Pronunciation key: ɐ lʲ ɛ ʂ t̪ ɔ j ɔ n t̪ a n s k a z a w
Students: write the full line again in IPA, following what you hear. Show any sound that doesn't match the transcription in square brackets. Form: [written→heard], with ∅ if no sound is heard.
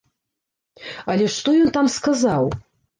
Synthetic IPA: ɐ lʲ ɛ ʂ t̪ ɔ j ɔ n t̪ a [n→m] s k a z a w